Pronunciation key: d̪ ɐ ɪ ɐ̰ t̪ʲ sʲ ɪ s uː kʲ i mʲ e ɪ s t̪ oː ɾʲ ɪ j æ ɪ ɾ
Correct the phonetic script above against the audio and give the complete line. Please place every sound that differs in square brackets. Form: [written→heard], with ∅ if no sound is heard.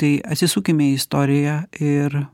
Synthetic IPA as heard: [d̪→t̪] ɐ ɪ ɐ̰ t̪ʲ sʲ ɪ s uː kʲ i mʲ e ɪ s t̪ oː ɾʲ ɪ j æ ɪ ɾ